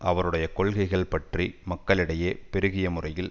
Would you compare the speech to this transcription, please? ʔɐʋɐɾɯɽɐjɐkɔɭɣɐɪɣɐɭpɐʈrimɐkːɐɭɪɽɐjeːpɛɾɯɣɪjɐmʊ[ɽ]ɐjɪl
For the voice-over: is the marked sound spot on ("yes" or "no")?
no